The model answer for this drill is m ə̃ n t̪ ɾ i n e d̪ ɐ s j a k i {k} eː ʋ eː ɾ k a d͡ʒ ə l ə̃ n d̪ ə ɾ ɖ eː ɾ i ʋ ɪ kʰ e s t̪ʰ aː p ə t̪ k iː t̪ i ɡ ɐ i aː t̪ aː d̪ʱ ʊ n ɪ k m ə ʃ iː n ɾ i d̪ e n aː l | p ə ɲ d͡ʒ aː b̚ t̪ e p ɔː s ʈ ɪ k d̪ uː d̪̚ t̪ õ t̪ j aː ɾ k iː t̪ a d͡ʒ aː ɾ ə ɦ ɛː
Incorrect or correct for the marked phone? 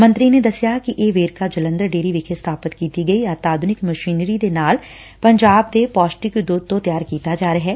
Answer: incorrect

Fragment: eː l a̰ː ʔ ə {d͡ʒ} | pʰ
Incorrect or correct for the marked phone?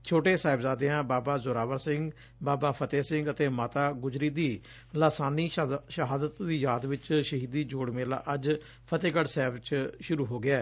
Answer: correct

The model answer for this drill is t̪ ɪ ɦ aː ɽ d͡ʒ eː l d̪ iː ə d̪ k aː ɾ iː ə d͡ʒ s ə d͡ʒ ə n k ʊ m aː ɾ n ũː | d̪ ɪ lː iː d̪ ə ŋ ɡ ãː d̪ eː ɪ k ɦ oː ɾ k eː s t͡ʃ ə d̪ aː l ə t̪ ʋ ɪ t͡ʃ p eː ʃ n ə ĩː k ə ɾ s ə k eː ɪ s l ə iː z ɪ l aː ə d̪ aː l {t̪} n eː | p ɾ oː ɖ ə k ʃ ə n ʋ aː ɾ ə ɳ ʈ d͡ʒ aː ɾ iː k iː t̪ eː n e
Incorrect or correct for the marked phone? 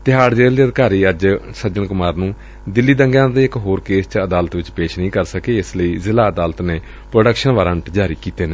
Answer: correct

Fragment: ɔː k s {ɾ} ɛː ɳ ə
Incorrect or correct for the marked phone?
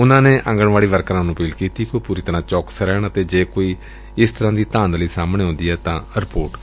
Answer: correct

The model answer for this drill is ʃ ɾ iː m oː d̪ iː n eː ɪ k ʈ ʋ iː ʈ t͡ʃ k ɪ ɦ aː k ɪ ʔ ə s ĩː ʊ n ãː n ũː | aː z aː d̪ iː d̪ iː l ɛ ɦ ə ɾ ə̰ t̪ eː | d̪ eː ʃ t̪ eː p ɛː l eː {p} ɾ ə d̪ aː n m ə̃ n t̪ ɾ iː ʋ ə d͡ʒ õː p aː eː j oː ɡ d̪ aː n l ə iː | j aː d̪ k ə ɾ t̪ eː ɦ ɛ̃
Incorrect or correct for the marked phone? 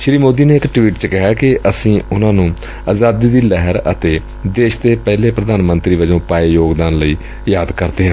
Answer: correct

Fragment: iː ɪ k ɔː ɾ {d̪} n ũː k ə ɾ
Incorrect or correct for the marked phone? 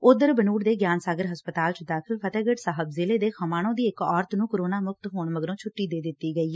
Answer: incorrect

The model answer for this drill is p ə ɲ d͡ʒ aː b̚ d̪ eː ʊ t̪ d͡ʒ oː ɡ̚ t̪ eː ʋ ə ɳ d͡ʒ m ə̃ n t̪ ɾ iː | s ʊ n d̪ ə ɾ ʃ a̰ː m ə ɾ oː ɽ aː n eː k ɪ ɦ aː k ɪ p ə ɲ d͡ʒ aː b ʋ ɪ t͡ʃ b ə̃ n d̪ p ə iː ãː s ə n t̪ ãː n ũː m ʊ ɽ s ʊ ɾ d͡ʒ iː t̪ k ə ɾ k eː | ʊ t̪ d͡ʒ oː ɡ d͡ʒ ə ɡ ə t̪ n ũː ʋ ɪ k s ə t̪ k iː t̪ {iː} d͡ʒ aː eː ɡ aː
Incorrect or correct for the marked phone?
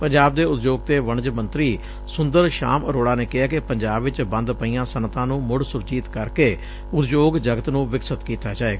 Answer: incorrect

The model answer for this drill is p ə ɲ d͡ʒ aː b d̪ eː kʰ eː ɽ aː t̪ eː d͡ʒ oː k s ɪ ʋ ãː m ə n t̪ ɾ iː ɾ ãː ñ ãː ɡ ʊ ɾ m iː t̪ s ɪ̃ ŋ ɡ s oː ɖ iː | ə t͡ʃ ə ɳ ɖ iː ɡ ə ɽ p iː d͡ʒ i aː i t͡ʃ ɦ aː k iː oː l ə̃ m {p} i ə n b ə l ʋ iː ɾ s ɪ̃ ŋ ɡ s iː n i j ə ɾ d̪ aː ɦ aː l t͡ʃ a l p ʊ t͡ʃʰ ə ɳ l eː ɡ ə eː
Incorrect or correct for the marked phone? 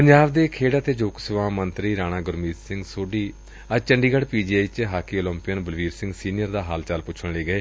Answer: correct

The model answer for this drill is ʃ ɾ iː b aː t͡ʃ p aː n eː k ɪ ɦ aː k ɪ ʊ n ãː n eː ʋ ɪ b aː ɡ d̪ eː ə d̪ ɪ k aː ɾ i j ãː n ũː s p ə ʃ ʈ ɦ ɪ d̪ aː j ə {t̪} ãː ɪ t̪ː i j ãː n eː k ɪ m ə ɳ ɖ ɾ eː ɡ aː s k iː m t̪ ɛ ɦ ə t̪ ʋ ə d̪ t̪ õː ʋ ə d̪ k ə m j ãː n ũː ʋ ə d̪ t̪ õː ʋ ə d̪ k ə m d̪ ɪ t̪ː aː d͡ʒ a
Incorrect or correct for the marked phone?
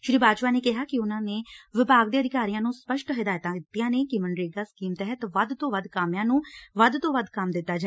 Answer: correct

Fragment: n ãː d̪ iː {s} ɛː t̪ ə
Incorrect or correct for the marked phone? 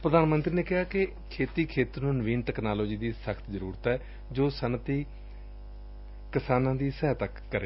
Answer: correct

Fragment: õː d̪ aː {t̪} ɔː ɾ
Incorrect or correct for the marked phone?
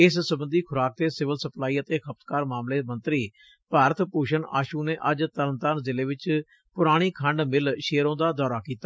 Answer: incorrect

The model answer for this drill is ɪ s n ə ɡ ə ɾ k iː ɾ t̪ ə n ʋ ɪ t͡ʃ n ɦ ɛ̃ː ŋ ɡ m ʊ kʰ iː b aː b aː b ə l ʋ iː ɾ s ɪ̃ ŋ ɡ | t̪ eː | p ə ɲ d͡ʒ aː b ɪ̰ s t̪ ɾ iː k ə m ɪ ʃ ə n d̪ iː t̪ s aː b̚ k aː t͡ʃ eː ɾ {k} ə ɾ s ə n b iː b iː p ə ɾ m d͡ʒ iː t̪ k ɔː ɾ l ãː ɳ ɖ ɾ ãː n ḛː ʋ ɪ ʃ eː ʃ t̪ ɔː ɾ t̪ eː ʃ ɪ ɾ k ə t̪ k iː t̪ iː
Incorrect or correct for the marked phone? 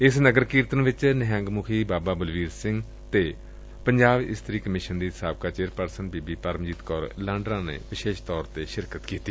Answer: incorrect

